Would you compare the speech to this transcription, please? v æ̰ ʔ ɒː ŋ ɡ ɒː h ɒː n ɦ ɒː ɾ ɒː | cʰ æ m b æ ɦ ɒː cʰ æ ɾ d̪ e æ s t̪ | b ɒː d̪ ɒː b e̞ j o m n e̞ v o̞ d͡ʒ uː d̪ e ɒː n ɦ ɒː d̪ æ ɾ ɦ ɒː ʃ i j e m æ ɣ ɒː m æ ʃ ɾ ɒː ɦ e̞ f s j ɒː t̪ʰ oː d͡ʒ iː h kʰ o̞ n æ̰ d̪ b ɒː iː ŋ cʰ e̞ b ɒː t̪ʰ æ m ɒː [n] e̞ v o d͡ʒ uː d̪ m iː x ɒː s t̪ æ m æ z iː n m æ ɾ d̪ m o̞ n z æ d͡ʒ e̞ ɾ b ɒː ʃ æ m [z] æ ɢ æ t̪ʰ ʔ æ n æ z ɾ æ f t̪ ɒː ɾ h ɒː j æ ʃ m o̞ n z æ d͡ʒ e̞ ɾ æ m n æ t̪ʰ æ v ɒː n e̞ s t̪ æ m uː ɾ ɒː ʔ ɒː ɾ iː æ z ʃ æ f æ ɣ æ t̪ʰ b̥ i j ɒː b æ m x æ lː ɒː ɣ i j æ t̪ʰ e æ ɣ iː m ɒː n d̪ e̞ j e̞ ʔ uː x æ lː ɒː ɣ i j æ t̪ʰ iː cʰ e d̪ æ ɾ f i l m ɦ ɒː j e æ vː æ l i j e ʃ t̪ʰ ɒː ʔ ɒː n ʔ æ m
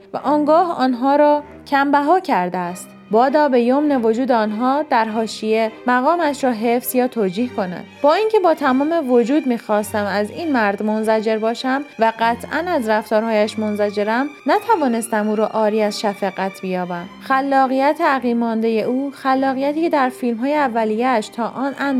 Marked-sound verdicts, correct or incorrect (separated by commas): incorrect, incorrect